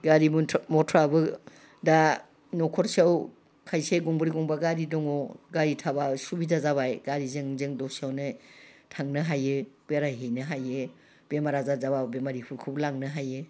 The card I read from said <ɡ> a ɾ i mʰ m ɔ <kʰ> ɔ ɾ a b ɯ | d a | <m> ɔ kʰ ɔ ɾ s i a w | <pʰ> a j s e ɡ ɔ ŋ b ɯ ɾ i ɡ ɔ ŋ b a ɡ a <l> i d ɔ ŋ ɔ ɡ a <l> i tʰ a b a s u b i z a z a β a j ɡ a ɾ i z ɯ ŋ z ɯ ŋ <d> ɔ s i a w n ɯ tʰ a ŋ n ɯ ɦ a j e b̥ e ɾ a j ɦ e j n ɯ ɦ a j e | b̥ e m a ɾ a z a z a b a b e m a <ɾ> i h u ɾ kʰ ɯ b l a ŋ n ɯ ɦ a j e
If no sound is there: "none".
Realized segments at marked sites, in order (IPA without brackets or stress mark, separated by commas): ɡ, tʰ, n, kʰ, ɾ, ɾ, d, ɾ